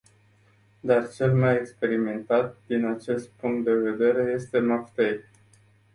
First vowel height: low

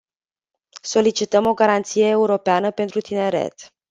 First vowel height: mid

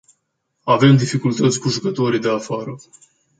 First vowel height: low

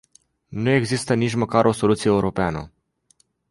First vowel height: high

